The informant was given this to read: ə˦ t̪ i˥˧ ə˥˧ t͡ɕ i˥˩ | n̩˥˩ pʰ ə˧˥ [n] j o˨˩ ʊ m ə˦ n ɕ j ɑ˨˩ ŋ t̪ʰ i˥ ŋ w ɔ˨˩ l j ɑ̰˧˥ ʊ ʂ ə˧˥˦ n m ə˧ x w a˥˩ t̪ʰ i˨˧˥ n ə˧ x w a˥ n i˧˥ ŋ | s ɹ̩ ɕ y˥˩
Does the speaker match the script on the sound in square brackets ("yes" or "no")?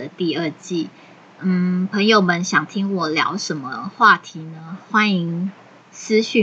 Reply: no